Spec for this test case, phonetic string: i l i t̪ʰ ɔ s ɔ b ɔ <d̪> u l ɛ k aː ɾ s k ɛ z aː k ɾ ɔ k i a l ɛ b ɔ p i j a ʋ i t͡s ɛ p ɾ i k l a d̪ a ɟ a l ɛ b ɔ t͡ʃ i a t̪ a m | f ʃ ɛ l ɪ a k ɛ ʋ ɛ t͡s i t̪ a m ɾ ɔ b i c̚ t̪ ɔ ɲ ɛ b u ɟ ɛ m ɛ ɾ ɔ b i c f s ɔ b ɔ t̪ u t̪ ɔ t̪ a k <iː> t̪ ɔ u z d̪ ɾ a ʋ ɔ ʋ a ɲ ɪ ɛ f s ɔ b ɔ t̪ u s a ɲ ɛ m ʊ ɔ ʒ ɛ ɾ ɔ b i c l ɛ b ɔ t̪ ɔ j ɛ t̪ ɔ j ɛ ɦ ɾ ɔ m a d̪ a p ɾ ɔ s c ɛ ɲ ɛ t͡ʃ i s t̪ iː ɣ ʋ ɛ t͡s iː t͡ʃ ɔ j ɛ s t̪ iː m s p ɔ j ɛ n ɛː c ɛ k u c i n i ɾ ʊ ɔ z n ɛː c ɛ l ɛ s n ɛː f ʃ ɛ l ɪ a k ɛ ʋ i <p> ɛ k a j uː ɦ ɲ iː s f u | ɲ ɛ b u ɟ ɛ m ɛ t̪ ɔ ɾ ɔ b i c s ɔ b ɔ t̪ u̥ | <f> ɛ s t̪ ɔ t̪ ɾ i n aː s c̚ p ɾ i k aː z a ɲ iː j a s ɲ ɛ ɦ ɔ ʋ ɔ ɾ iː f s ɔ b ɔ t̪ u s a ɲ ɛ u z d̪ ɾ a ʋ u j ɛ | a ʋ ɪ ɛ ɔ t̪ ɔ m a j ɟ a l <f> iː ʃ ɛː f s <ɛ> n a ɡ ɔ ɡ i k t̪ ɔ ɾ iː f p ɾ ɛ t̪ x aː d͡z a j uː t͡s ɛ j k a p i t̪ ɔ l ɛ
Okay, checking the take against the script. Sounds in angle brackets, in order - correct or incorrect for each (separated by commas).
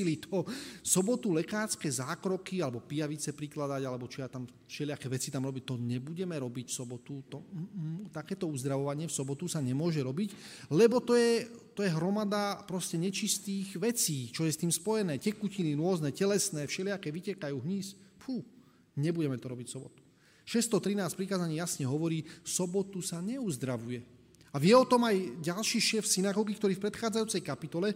incorrect, incorrect, incorrect, incorrect, incorrect, incorrect